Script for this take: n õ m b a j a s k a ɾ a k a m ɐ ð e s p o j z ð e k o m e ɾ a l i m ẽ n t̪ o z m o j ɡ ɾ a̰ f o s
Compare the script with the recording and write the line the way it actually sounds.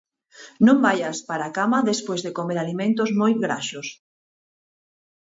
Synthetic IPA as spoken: n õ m b a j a s p a ɾ a k a m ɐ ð e s p o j z ð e k o m e ɾ a l i m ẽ n t̪ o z m o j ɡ ɾ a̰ ʃ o s